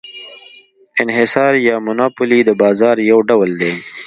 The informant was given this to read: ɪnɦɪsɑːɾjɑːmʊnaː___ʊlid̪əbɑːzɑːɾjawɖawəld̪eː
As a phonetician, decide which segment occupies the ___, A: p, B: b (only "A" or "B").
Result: A